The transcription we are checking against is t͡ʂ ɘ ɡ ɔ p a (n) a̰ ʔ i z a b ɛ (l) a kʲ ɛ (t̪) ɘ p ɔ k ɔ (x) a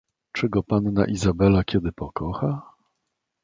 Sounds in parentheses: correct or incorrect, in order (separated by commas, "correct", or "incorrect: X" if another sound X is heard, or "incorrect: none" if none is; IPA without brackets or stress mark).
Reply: incorrect: nː, correct, incorrect: d̪, correct